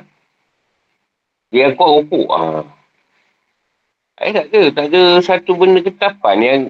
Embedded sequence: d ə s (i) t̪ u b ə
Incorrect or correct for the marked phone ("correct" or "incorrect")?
incorrect